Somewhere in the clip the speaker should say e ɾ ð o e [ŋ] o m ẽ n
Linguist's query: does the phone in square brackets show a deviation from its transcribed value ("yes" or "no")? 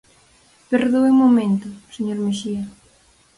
yes